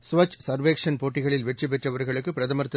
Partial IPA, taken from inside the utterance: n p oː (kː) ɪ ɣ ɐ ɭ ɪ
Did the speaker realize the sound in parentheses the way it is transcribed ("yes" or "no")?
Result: no